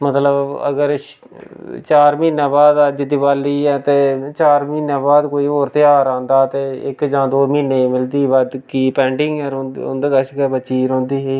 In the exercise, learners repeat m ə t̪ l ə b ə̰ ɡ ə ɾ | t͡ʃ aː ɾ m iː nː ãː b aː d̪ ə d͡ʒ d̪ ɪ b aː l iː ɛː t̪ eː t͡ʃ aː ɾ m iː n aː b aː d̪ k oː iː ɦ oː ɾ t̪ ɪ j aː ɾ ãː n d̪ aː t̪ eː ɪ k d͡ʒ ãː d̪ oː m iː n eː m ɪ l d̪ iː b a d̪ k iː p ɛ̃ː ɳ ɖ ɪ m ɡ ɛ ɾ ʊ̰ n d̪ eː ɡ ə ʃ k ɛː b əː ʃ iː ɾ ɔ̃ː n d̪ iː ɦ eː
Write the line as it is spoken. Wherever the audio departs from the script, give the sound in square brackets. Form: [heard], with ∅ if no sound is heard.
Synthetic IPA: m ə t̪ l ə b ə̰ ɡ ə ɾ | t͡ʃ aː ɾ m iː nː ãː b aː d̪ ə d͡ʒ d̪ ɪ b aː l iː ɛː t̪ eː t͡ʃ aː ɾ m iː n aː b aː d̪ k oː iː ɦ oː ɾ t̪ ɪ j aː ɾ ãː n d̪ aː t̪ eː ɪ k d͡ʒ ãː d̪ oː m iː n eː m ɪ l d̪ iː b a d̪ k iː p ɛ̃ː ɳ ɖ ɪ [ŋ] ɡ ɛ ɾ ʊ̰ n d̪ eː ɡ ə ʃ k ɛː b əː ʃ iː ɾ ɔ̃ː n d̪ iː ɦ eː